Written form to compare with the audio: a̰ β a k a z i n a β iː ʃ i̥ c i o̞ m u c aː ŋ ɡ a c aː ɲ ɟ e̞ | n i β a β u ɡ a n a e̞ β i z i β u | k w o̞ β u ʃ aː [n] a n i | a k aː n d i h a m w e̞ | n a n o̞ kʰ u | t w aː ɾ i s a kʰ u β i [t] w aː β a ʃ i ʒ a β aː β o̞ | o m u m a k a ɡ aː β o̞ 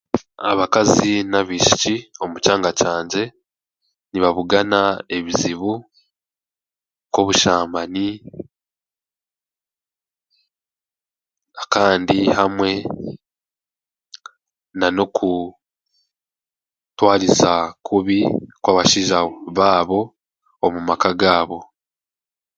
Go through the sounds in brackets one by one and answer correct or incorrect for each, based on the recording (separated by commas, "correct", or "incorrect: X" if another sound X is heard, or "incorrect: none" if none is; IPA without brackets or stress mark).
incorrect: m, incorrect: k